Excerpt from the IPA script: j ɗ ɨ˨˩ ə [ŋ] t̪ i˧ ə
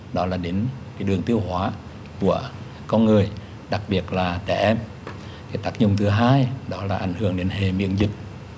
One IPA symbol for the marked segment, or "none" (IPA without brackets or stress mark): ŋ